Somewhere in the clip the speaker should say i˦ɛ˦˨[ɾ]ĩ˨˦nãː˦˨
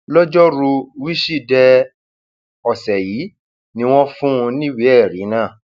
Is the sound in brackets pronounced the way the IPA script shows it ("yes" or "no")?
yes